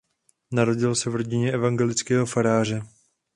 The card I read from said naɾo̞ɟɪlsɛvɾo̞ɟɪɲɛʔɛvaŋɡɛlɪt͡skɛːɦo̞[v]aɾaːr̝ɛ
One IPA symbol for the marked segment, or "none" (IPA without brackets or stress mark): f